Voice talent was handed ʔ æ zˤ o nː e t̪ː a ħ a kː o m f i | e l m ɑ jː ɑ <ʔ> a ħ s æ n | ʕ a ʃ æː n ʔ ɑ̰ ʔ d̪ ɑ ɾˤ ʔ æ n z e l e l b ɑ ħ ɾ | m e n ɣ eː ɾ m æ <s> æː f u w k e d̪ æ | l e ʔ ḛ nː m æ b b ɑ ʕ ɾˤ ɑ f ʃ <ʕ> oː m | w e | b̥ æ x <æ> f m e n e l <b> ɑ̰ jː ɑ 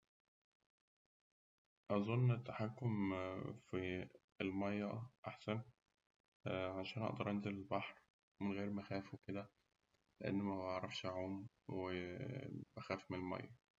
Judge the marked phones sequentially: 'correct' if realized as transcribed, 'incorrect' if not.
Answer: correct, incorrect: x, correct, incorrect: æː, incorrect: m

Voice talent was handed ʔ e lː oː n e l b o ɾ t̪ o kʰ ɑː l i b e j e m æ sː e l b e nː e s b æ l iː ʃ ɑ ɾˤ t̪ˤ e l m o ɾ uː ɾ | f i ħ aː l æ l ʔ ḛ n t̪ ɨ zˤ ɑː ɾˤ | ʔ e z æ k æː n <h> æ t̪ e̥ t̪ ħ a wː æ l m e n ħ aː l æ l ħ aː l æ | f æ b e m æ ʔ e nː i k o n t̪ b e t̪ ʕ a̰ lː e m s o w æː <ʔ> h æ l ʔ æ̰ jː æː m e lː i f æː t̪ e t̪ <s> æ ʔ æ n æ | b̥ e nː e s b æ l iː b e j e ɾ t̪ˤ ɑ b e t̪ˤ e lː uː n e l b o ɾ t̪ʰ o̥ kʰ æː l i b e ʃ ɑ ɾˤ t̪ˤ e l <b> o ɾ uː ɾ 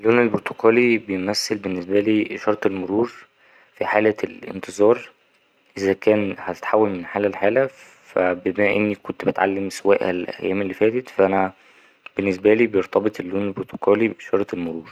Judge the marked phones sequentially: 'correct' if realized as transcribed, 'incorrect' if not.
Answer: correct, correct, incorrect: f, incorrect: m

